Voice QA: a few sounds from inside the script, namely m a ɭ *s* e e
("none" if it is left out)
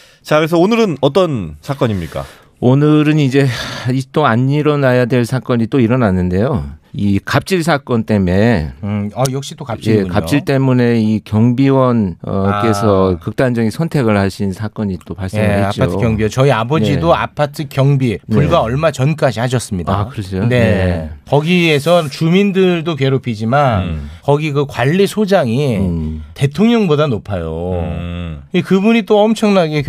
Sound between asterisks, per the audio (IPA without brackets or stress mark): s